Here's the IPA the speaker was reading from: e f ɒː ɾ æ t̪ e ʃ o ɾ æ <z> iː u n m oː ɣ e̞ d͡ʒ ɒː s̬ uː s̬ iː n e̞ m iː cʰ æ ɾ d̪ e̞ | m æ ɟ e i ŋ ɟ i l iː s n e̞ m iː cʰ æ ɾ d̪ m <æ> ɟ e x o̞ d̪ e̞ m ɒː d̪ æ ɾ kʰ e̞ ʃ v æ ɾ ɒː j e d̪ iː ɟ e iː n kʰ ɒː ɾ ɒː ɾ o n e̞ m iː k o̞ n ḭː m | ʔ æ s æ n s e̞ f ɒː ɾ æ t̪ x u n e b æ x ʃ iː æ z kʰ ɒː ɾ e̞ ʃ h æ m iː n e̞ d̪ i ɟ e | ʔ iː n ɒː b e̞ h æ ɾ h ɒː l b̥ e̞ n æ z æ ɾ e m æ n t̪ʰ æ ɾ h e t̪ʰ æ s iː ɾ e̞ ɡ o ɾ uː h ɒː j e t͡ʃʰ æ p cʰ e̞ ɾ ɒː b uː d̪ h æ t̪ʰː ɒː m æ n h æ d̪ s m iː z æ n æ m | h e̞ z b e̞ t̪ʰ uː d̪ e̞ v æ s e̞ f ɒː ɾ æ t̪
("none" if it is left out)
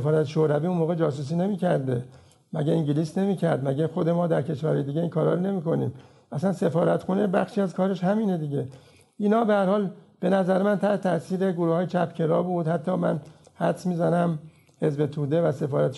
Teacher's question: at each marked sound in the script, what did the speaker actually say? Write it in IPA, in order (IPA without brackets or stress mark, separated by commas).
v, æ